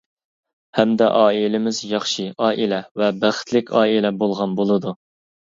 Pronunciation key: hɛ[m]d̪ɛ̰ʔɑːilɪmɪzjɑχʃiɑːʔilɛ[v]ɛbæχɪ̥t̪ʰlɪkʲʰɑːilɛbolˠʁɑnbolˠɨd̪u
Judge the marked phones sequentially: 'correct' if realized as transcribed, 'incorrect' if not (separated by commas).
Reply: correct, correct